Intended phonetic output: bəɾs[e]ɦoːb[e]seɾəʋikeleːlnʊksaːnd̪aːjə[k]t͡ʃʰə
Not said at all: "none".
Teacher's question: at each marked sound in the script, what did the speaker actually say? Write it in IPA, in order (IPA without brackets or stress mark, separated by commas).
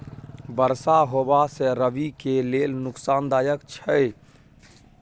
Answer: a, a, k